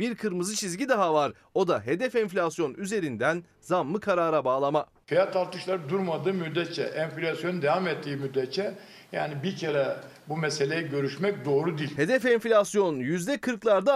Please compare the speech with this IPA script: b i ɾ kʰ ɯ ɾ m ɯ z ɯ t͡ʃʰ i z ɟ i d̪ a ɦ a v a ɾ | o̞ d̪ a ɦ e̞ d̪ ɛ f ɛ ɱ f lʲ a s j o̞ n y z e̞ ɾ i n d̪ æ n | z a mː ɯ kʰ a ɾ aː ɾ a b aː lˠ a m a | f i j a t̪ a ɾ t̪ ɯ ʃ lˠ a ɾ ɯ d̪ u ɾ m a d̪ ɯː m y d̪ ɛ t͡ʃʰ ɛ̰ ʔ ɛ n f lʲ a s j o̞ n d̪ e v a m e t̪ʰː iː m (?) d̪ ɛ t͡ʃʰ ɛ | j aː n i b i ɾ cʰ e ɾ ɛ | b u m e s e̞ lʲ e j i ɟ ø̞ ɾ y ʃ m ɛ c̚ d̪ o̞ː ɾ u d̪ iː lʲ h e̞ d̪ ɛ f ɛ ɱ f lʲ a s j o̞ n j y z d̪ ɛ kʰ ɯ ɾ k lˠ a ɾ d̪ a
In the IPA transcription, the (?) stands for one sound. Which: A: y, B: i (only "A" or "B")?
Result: A